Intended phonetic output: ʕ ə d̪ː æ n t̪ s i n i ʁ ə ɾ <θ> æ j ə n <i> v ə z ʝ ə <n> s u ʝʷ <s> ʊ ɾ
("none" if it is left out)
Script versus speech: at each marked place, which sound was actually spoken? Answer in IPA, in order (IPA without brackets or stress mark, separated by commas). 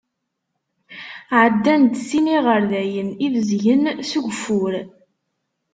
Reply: ð, i, n, f